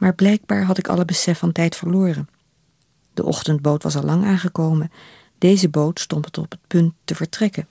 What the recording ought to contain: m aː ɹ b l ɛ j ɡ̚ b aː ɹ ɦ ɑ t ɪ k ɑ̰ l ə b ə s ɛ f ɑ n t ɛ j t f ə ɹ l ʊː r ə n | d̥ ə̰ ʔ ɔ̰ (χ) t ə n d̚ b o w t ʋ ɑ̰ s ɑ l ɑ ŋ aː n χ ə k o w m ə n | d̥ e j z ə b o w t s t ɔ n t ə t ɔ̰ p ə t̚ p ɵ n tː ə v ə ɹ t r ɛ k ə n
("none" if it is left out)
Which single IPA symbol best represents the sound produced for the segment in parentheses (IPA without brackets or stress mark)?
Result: χ